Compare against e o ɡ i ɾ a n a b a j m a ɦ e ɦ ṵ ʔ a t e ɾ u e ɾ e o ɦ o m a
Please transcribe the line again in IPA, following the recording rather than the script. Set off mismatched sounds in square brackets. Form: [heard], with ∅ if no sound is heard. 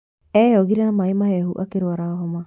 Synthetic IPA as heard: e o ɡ i ɾ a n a [m] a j m a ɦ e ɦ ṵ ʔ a [k] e ɾ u [a] ɾ [a] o ɦ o m a